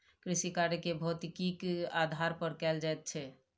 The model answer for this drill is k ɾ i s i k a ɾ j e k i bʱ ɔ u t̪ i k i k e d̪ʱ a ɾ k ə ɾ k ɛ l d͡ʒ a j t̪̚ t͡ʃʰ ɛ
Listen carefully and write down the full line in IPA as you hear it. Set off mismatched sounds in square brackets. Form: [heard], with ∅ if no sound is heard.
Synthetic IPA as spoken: k ɾ i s i k a ɾ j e k [e] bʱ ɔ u t̪ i k i k [a] d̪ʱ a ɾ [p] ə ɾ k ɛ l d͡ʒ a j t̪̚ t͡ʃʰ ɛ